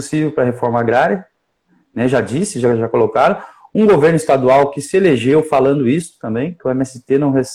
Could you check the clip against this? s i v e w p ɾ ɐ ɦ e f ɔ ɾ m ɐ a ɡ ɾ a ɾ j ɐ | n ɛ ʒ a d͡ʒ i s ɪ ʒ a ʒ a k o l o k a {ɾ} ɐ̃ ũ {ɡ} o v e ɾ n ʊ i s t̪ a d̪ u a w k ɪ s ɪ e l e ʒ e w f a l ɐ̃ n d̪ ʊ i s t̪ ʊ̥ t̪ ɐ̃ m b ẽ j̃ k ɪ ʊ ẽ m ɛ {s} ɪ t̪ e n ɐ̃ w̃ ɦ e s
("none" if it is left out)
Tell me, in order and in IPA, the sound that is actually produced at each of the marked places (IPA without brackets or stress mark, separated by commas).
ɾ, ɡ, s